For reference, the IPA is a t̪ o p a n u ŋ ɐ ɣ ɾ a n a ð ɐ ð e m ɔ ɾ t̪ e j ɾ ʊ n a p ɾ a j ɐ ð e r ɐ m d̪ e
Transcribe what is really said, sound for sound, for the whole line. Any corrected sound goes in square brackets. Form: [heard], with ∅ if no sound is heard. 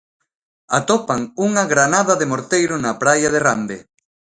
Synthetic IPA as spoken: a t̪ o p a [ŋ] u ŋ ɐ ɣ ɾ a n a ð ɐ ð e m [o] ɾ t̪ e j ɾ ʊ n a p ɾ a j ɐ ð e r [a] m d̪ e